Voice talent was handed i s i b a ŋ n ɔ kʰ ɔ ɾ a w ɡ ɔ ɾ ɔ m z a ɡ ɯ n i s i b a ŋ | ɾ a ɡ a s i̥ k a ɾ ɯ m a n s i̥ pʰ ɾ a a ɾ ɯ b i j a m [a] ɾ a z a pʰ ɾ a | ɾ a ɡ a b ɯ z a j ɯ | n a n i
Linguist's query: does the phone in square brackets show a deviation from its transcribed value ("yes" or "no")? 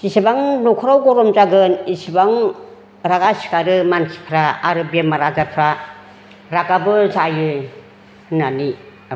no